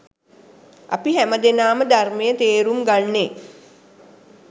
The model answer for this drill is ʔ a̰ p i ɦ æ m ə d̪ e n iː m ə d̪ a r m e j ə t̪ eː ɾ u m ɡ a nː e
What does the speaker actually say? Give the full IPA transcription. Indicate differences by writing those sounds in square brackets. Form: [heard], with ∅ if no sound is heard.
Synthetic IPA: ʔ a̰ p i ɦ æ m ə d̪ e n [aː] m ə d̪ a r m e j ə t̪ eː ɾ u m ɡ a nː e